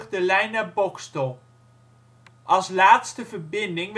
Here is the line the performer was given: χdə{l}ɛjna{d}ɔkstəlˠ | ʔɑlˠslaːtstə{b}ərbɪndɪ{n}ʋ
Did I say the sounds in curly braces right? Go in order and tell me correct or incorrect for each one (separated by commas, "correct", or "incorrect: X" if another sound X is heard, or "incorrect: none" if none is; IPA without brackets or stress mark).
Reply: correct, incorrect: b, incorrect: v, incorrect: ŋ